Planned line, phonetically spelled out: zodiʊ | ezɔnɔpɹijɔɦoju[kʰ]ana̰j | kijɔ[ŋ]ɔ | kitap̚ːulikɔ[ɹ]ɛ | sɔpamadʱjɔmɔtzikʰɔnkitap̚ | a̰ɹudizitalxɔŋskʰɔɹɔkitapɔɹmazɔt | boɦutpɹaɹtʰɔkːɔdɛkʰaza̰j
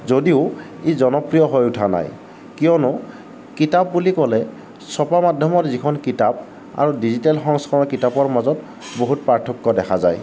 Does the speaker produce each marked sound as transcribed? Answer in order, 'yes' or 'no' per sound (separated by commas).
no, no, no